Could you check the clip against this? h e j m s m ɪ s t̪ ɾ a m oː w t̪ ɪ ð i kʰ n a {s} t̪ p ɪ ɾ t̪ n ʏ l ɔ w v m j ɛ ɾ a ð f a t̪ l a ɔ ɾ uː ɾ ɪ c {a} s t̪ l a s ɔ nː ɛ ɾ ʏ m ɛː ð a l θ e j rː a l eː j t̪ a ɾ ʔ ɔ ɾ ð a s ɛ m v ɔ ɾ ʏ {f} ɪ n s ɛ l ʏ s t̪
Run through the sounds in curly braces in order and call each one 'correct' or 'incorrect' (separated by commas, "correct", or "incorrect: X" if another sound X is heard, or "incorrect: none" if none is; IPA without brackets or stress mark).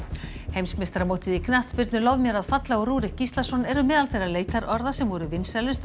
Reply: incorrect: h, incorrect: i, incorrect: v